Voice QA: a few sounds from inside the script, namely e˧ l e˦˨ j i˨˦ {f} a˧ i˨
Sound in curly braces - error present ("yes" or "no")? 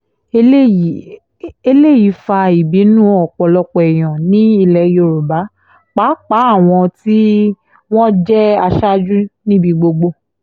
no